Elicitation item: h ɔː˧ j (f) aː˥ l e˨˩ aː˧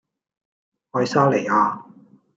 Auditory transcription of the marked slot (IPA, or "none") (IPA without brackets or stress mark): s